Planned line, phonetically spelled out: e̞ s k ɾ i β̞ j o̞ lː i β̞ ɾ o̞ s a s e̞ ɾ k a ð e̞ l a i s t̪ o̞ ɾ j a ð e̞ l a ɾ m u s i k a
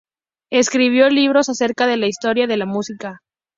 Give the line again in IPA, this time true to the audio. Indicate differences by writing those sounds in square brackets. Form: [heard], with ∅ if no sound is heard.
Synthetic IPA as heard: e̞ s k ɾ i β̞ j o̞ [l] i β̞ ɾ o̞ s a s e̞ ɾ k a ð e̞ l a i s t̪ o̞ ɾ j a ð e̞ l a [∅] m u s i k a